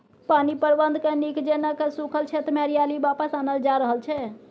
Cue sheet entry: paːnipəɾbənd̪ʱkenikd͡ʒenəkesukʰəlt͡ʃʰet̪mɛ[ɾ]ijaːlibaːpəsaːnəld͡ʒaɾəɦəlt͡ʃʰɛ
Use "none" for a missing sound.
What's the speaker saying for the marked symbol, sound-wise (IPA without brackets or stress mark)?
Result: ɾ